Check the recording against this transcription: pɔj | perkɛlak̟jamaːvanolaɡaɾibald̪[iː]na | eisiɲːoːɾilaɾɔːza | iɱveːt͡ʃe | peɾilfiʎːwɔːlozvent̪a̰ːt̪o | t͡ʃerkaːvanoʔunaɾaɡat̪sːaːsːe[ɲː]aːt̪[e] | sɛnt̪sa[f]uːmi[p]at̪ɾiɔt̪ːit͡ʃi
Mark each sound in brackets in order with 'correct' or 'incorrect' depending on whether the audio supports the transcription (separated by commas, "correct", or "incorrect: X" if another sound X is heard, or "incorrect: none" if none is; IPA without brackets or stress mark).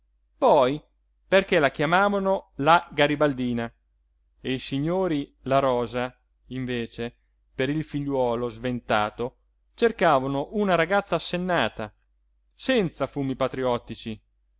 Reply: correct, incorrect: nː, incorrect: a, correct, correct